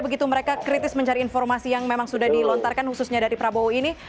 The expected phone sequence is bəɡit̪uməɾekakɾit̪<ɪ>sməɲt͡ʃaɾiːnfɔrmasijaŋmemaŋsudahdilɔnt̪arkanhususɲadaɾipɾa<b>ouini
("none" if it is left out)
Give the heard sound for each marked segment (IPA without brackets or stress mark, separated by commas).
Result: ɪ, b